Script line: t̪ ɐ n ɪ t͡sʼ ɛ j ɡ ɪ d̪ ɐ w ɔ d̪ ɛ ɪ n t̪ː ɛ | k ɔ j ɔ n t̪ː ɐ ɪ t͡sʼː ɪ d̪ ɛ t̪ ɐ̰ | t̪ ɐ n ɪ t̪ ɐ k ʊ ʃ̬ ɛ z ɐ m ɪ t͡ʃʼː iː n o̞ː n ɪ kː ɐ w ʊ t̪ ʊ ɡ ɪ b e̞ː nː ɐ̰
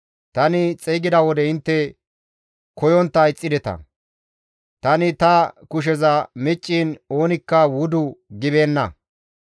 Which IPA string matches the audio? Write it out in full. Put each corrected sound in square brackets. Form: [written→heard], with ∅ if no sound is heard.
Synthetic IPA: t̪ ɐ n ɪ t͡sʼ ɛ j ɡ ɪ d̪ ɐ w ɔ d̪ ɛ ɪ n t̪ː ɛ | k ɔ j ɔ n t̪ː ɐ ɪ t͡sʼː ɪ d̪ ɛ t̪ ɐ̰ | t̪ ɐ n ɪ t̪ ɐ k ʊ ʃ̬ ɛ z ɐ m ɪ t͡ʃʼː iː n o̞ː n ɪ kː ɐ w ʊ [t̪→d̪] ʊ ɡ ɪ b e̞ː nː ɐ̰